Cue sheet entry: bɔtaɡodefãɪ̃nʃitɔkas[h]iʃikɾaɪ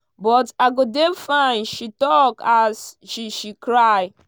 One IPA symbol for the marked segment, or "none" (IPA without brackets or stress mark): ʃ